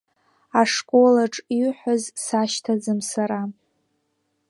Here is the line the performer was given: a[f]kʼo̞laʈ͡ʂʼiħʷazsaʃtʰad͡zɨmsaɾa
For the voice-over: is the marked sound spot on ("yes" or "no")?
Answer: no